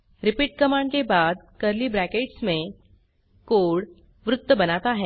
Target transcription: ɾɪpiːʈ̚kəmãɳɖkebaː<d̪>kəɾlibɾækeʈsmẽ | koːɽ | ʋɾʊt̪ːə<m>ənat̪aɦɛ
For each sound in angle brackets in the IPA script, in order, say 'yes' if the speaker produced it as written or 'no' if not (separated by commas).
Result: yes, no